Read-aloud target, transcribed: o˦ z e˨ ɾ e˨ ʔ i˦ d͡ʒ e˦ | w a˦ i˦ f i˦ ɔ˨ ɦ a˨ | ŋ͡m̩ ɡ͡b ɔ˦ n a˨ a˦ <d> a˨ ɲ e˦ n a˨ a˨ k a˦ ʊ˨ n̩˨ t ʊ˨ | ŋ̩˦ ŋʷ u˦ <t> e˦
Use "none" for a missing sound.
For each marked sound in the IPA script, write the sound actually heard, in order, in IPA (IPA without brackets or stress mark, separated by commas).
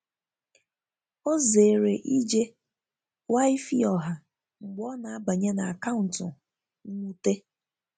b, t